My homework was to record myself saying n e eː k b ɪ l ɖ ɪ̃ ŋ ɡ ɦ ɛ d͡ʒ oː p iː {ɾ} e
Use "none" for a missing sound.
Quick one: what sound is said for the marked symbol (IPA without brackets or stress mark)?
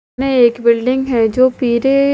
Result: ɾ